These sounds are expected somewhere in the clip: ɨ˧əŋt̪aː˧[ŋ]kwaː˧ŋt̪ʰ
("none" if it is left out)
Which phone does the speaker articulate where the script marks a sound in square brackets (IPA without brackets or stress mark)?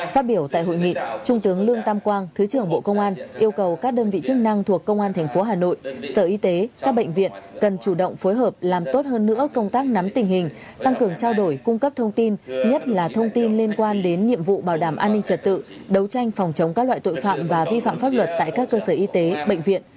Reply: m